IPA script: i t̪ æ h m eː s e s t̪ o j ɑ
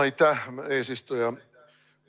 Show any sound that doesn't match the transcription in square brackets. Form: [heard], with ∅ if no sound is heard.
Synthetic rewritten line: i t̪ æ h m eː s [i] s t̪ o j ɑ